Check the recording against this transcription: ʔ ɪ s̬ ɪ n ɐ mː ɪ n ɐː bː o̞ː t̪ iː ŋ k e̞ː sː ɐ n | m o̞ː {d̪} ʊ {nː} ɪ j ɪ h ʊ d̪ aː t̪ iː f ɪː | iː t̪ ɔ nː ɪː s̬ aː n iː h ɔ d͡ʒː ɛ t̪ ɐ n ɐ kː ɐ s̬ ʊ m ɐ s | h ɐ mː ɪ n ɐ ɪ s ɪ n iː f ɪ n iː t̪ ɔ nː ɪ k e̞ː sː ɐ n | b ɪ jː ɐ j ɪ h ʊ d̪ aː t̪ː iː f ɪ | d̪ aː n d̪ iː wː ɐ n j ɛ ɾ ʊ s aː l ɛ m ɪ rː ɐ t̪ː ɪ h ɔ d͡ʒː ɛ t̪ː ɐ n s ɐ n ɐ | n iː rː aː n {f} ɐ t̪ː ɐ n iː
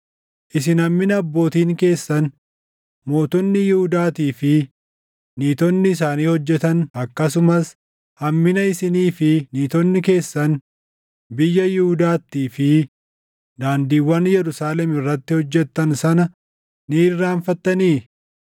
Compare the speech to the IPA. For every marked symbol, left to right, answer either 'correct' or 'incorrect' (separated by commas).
incorrect, correct, correct